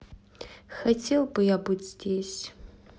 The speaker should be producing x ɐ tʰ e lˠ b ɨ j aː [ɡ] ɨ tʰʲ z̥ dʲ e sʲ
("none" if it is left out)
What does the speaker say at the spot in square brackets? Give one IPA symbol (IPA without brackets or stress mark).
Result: b